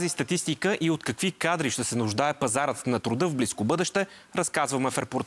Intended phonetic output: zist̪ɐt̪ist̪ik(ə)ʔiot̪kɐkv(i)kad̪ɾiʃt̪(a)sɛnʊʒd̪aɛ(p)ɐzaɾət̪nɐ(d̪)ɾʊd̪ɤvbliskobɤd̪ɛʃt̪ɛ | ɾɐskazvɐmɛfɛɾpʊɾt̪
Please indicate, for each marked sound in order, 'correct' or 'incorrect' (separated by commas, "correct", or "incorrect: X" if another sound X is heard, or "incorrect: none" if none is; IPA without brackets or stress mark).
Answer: correct, correct, incorrect: ɛ, correct, incorrect: t̪